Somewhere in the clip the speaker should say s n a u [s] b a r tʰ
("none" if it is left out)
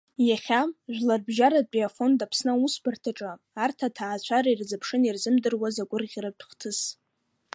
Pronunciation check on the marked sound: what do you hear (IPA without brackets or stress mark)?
s